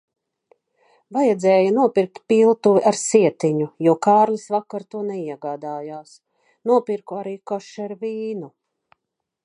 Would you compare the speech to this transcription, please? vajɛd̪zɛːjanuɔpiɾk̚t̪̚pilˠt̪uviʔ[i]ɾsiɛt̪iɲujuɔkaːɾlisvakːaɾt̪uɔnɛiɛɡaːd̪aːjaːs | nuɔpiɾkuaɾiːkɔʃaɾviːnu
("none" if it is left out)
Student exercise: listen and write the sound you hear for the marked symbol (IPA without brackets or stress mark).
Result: a